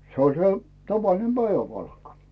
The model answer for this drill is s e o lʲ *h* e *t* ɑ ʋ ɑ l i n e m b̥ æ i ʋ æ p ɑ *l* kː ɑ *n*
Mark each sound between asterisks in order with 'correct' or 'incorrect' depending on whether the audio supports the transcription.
incorrect: s, correct, correct, incorrect: none

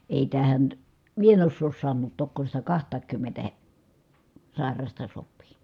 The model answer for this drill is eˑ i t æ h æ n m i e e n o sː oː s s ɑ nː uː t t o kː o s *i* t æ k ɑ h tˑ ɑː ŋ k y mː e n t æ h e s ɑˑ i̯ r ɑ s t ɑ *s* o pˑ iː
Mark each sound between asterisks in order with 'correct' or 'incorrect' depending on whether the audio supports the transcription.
correct, correct

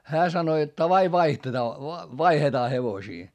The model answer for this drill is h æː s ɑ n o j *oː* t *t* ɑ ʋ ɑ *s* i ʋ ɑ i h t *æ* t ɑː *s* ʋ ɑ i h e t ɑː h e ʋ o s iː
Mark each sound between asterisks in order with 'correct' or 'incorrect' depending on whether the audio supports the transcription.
incorrect: o, correct, incorrect: none, incorrect: e, incorrect: none

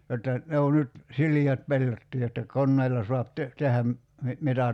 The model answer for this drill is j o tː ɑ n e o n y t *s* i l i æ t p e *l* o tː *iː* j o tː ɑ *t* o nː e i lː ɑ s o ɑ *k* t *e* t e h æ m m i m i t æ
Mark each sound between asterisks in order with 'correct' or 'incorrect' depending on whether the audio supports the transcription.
correct, incorrect: lː, correct, incorrect: k, incorrect: p, correct

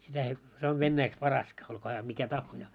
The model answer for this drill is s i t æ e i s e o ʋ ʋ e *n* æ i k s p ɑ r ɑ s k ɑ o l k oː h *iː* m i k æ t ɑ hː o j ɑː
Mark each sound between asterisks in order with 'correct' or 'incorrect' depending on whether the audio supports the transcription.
incorrect: nː, incorrect: æː

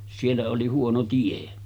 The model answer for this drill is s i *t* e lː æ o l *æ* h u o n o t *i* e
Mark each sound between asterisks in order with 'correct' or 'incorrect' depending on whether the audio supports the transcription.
incorrect: none, incorrect: i, correct

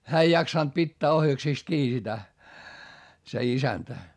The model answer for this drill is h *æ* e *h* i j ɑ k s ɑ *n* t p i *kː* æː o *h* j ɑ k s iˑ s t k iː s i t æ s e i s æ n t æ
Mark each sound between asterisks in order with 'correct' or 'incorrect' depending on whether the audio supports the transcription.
incorrect: æː, incorrect: none, correct, incorrect: tː, correct

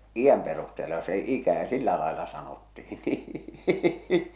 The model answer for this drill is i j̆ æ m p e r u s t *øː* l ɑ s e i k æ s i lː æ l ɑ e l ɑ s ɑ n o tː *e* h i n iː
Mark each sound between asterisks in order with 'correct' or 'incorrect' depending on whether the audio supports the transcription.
incorrect: eː, incorrect: i

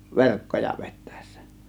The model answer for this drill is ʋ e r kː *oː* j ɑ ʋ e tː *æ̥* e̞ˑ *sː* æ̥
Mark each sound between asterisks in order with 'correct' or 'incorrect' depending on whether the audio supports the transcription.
incorrect: o, correct, correct

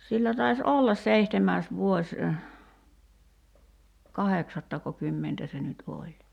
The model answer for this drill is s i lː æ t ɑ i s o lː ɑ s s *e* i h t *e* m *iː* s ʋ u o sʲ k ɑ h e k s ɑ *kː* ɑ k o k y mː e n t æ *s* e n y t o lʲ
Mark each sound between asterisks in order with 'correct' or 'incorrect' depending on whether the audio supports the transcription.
correct, correct, incorrect: æː, incorrect: tː, correct

